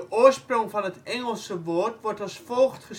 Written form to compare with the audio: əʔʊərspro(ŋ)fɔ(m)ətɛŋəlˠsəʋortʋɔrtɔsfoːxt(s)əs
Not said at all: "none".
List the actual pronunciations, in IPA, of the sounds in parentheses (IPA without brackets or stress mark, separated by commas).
ŋ, n, χ